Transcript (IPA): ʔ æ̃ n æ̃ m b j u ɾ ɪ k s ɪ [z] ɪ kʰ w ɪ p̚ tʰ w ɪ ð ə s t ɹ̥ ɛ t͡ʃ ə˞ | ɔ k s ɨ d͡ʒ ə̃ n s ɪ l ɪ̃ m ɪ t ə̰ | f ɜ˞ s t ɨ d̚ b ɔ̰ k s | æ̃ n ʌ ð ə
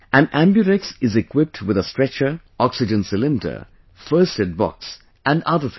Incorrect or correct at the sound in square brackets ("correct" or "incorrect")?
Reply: correct